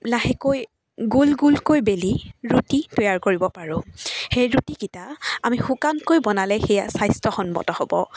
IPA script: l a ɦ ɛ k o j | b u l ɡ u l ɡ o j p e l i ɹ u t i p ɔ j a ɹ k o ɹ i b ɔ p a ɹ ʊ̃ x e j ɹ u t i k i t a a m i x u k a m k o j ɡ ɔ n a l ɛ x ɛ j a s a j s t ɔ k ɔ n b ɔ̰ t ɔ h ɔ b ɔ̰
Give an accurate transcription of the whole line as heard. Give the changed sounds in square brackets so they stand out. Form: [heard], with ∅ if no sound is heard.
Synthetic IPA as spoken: l a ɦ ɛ k o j | [ɡ] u l ɡ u l [k] o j [b] e l i ɹ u t i [t] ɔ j a ɹ k o ɹ i b ɔ p a ɹ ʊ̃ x e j ɹ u t i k i t a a m i x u k a [n] k o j [b] ɔ n a l ɛ x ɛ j a s a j s t ɔ [x] ɔ n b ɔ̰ t ɔ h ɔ b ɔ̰